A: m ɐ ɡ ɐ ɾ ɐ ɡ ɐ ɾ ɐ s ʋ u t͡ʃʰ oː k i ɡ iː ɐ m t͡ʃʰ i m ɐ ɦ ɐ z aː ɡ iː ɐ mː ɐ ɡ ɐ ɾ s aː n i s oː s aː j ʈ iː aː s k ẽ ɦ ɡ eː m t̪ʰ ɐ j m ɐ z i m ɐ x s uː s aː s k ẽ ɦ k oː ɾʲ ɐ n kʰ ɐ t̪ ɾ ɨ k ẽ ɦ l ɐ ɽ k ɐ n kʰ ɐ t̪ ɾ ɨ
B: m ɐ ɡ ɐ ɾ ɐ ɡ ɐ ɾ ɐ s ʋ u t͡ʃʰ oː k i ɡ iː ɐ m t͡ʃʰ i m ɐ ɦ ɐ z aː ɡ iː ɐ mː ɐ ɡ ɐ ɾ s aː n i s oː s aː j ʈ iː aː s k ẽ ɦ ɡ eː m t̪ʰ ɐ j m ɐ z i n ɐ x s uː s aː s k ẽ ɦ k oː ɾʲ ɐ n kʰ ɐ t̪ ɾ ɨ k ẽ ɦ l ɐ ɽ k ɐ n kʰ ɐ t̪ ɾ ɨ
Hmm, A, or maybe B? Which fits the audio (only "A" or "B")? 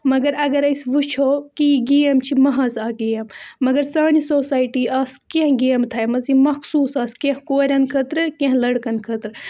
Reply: A